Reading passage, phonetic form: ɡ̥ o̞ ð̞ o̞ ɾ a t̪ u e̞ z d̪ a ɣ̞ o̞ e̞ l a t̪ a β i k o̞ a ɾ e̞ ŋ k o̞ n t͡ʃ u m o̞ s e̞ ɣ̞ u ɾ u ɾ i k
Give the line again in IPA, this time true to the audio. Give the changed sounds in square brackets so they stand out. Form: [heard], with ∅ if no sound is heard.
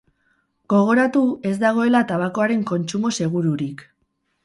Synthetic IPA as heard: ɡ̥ o̞ [ɣ̞] o̞ ɾ a t̪ u e̞ z d̪ a ɣ̞ o̞ e̞ l a t̪ a β [a] k o̞ a ɾ e̞ ŋ k o̞ n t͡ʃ u m o̞ s e̞ ɣ̞ u ɾ u ɾ i k